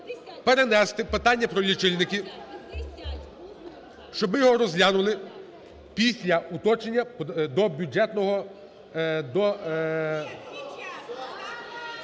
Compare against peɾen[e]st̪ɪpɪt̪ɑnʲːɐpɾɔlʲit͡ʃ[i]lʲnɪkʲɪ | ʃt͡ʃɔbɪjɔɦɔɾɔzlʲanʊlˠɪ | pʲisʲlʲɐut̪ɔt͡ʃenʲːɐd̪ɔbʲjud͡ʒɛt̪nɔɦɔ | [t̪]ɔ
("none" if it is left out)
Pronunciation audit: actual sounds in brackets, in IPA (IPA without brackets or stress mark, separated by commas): ɛ, ɪ, d̪